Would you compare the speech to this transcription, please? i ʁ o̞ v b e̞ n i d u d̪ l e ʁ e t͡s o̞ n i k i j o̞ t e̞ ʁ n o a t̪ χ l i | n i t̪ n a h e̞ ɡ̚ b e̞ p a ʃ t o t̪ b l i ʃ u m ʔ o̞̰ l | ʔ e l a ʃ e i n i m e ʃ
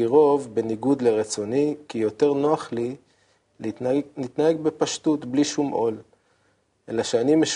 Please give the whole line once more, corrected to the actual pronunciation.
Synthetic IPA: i ʁ o̞ v b e̞ n i ɡ u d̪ l e ʁ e t͡s o̞ n i k i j o̞ t e̞ ʁ n o a χ l i | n i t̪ n a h e̞ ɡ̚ b e̞ p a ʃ t u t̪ b l i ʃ u m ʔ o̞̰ l | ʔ e l a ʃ e a n i m e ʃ